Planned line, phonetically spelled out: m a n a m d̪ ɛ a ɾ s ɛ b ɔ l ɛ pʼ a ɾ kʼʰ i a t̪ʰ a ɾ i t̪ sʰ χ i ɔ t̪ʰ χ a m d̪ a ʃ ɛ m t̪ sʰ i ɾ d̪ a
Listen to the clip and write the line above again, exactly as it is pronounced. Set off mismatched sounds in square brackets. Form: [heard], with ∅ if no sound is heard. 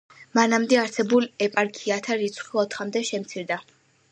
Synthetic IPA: m a n a m d̪ ɛ a ɾ s ɛ b [u] l ɛ pʼ a ɾ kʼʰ i a t̪ʰ a ɾ i t̪ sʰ χ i ɔ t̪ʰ χ a m d̪ [ɛ] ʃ ɛ m t̪ sʰ i ɾ d̪ a